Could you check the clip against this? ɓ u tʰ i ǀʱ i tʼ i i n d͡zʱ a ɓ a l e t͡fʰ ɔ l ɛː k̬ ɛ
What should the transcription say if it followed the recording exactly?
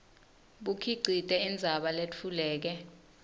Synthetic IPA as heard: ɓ u kʰ i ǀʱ i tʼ ɛ i n d͡zʱ a ɓ a l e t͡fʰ u l ɛː k̬ ɛ